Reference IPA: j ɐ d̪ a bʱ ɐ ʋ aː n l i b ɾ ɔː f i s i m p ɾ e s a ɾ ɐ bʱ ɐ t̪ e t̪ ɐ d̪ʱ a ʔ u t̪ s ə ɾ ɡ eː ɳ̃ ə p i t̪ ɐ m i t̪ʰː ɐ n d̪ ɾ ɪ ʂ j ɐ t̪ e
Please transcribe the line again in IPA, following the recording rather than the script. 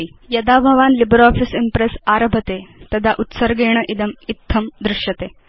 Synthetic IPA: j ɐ d̪ a bʱ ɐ ʋ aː n l i b ɾ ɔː f i s i m p ɾ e s a ɾ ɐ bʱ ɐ t̪ e t̪ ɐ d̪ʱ a ʔ u t̪ s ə ɾ ɡ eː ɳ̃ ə ʔ i d̪ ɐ m i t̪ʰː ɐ m d̪ ɾ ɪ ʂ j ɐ t̪ e